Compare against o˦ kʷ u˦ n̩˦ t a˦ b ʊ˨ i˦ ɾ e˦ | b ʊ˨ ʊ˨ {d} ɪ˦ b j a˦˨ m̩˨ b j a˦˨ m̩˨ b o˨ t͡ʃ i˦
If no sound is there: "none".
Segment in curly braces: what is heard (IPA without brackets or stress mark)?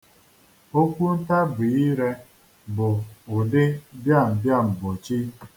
d